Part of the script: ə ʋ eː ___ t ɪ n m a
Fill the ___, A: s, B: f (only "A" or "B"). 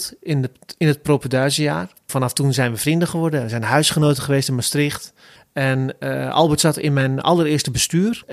A